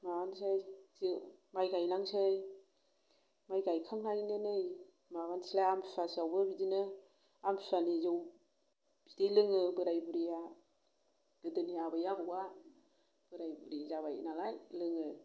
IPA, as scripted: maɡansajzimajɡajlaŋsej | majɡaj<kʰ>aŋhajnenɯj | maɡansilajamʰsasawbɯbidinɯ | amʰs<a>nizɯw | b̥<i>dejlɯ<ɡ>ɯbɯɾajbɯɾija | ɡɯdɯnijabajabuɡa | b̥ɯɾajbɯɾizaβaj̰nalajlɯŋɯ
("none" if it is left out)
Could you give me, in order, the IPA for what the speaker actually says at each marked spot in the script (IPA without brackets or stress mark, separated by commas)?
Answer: kʰ, a, i, ŋ